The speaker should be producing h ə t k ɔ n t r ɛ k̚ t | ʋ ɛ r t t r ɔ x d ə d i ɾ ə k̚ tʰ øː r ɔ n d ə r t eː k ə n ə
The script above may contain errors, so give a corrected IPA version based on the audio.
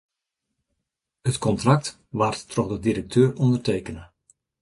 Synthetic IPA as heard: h ə t k ɔ n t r a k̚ t | ʋ a r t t r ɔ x d ə d i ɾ ə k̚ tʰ øː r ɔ n d ə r t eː k ə n ə